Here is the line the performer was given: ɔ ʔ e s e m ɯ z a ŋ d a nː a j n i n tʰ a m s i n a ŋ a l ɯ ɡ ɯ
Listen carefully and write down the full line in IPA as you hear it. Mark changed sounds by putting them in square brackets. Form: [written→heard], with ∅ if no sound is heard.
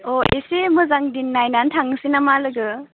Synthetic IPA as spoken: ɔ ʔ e s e m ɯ z a ŋ d [a→i] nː a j n [i→a] n tʰ a [m→ŋ] s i n a [ŋ→m] a l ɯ ɡ ɯ